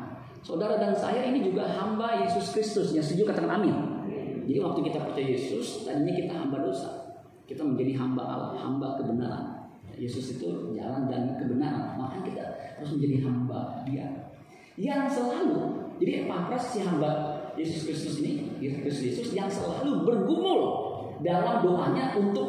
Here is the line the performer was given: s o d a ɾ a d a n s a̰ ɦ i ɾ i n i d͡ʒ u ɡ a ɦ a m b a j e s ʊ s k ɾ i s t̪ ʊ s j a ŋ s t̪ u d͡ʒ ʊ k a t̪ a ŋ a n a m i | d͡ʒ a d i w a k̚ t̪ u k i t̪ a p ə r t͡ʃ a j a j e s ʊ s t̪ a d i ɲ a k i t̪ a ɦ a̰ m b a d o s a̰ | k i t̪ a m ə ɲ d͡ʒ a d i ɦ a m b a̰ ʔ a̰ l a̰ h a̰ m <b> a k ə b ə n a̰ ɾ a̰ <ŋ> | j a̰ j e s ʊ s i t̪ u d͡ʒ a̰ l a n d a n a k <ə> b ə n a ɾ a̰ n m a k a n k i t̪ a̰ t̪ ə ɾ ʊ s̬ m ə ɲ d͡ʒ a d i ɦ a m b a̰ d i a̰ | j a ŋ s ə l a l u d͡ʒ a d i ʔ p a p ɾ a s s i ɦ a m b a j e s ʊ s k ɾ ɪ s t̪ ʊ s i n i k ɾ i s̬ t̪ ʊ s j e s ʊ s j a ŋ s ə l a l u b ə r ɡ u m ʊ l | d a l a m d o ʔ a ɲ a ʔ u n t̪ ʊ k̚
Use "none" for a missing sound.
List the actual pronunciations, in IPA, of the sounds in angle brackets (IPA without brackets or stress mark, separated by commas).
b, n, ə